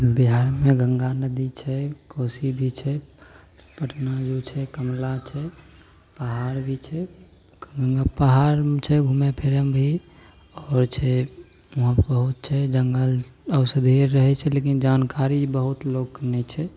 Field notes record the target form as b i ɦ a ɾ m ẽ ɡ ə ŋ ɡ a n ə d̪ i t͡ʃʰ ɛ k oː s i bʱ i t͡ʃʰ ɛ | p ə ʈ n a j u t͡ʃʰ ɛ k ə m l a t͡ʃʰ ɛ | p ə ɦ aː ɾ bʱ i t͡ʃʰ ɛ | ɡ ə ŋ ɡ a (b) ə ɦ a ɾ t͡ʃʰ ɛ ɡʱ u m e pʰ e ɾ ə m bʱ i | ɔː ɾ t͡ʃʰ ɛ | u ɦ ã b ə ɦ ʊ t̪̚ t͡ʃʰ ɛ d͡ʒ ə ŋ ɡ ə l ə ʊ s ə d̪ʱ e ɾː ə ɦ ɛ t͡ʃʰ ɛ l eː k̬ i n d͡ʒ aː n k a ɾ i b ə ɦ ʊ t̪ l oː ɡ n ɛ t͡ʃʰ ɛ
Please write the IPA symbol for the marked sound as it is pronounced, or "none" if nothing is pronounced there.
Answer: p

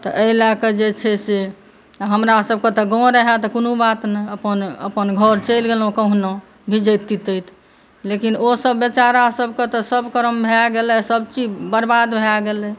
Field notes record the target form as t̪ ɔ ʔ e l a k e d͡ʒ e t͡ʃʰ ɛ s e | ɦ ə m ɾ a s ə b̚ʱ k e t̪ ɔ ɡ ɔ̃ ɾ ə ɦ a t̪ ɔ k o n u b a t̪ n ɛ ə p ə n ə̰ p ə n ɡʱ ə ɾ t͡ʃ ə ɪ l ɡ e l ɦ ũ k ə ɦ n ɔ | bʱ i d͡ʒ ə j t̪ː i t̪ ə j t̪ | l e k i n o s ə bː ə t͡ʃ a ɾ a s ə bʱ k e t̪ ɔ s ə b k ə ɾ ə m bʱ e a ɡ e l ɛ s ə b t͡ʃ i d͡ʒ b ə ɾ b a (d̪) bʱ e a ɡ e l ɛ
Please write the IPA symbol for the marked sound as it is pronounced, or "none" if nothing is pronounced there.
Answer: d̪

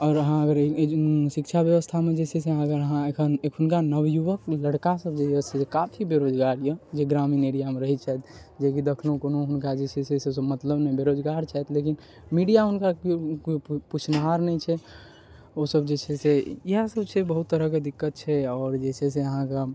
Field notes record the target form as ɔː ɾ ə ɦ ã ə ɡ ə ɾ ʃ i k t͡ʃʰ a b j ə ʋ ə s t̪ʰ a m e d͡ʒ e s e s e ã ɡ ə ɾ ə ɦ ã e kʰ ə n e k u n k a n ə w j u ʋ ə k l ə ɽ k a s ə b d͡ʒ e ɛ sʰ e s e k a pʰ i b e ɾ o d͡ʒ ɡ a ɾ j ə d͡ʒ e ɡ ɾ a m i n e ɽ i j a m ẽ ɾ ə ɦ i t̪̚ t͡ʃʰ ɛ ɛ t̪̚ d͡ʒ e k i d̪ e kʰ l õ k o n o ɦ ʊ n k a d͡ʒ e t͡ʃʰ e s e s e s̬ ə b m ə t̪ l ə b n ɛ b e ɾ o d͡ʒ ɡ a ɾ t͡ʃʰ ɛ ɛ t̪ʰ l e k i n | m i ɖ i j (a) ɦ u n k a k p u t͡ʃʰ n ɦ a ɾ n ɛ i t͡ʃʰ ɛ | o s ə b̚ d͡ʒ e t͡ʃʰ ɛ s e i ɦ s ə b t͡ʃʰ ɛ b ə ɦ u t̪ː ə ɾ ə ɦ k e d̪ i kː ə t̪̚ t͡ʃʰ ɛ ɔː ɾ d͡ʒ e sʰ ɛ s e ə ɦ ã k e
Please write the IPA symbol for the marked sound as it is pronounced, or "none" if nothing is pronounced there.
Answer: a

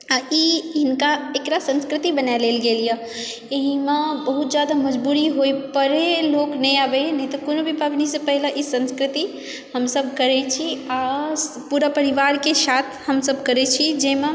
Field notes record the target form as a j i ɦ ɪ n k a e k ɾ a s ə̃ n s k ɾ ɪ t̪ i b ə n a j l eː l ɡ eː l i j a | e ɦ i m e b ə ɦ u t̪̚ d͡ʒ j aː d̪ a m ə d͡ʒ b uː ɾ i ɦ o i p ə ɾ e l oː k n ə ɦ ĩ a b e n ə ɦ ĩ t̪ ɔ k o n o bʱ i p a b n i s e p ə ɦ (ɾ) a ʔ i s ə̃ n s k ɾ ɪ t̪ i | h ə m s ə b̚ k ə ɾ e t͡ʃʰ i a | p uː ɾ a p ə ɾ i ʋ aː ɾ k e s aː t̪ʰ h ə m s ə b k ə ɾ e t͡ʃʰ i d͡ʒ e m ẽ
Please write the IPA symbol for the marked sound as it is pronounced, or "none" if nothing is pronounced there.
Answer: l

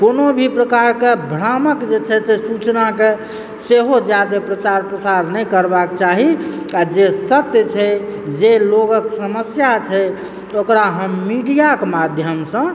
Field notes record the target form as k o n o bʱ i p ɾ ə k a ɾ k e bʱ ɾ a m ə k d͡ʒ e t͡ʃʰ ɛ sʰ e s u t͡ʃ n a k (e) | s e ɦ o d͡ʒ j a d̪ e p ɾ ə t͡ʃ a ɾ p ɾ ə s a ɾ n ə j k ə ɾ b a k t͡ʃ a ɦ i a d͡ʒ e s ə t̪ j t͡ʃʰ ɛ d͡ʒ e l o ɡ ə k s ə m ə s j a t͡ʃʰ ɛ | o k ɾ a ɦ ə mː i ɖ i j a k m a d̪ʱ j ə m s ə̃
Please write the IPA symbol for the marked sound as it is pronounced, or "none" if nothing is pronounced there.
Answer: e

